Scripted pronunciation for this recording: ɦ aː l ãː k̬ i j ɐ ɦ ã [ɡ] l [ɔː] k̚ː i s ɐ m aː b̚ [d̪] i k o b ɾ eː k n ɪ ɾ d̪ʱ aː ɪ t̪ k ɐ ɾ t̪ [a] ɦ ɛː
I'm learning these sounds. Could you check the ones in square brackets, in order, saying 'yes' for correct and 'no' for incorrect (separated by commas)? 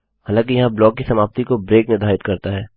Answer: no, yes, no, yes